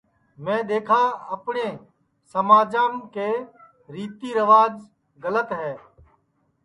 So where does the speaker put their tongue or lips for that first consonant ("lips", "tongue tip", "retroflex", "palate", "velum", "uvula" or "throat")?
lips